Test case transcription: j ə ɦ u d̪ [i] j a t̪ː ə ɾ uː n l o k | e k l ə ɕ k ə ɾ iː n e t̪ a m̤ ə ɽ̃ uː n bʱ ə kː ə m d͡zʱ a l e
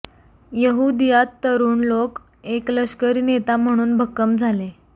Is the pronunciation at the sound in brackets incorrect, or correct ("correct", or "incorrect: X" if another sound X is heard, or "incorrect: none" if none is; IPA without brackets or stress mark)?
correct